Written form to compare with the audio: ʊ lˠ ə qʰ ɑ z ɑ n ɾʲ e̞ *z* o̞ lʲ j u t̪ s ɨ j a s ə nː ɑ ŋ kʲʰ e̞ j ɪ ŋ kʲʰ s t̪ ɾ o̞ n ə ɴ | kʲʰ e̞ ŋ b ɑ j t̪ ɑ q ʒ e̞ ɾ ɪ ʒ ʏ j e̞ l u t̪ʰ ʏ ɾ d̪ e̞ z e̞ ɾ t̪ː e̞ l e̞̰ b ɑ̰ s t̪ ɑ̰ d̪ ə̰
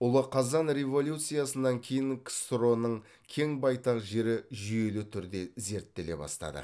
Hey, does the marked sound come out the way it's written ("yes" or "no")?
no